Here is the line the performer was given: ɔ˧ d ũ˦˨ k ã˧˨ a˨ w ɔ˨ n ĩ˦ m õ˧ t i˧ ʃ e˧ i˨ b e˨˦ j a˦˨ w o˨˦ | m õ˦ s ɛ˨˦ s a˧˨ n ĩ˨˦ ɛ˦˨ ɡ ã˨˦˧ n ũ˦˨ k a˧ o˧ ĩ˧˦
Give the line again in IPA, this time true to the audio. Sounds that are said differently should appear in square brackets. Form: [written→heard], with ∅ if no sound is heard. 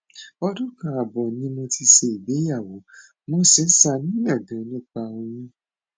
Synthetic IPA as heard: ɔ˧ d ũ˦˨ k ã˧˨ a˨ [w→b] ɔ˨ n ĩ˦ m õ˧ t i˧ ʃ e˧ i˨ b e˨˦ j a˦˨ w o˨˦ | m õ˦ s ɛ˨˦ s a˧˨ n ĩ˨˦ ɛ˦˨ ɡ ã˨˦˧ n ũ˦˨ [k→k͡p] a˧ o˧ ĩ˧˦